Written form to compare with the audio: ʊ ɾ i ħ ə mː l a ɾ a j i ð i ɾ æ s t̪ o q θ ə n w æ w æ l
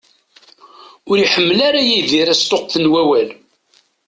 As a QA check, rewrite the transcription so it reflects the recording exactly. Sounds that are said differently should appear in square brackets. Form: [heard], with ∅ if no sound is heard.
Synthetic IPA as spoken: ʊ ɾ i ħ ə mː l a ɾ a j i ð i ɾ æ s t̪ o q θ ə n w æ w æ l